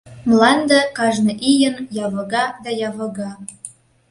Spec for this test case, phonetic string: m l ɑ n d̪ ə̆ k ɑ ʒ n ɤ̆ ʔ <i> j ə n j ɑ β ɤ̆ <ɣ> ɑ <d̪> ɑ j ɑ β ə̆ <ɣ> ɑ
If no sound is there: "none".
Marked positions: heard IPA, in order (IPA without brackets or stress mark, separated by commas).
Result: i, ɣ, d̪, ɣ